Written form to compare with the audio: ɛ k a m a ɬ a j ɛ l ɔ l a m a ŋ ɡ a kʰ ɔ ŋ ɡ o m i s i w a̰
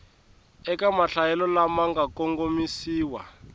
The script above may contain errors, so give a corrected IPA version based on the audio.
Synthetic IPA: ɛ k a m a ɬ a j ɛ l ɔ l a m a ŋ ɡ a k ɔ ŋ ɡ o m i s iː w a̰